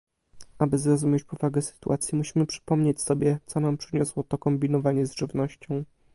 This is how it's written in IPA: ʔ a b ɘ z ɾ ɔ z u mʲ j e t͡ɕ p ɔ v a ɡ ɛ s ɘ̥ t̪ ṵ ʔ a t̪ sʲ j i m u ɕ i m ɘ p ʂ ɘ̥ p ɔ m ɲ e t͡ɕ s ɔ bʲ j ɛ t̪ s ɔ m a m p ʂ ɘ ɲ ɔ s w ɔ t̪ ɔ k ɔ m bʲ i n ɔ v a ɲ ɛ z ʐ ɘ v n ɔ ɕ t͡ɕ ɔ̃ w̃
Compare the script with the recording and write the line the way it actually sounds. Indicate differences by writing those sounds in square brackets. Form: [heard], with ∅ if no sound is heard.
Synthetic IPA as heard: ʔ a b ɘ z ɾ ɔ z u mʲ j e t͡ɕ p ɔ v a ɡ ɛ s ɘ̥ t̪ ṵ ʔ a t̪ sʲ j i m u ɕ i m ɘ p ʂ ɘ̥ p ɔ m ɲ e t͡ɕ s ɔ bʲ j ɛ t̪ s ɔ [n] a m p ʂ ɘ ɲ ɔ s w ɔ t̪ ɔ k ɔ m bʲ i n ɔ v a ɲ ɛ z ʐ ɘ v n ɔ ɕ t͡ɕ ɔ̃ w̃